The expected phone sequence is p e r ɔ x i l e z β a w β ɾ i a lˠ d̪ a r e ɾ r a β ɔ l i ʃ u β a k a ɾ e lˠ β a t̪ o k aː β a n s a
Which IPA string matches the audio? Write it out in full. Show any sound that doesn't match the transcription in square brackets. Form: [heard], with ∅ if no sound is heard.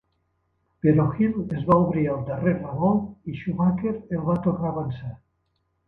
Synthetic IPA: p e [ɾ] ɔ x i l e z β a [u] β ɾ i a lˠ d̪ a r e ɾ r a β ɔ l i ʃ u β a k [e] ɾ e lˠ β a t̪ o k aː β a n s a